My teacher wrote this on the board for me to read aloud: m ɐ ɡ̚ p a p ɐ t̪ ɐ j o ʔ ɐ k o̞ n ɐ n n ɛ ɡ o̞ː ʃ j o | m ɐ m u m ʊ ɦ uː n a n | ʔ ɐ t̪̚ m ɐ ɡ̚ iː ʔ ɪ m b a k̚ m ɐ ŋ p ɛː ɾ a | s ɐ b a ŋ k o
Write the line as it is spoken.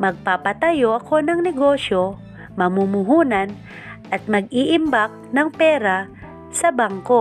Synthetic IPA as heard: m ɐ ɡ̚ p a p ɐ t̪ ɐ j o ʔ ɐ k o̞ n ɐ ŋ n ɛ ɡ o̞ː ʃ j o | m ɐ m u m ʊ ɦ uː n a n | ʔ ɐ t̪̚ m ɐ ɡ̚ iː ʔ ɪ m b a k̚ n ɐ ŋ p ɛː ɾ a | s ɐ b a ŋ k o